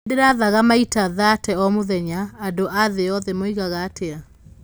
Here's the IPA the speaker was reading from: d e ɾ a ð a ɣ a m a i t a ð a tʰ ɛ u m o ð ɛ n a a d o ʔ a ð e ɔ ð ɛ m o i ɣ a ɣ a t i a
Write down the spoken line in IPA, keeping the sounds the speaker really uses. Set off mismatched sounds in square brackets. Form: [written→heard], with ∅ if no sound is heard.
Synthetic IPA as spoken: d e ɾ a ð a ɣ a m a i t a ð a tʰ ɛ [u→ɔ] m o ð ɛ [n→ɲ] a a d o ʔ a ð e ɔ ð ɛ m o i ɣ a ɣ a t [i→e] a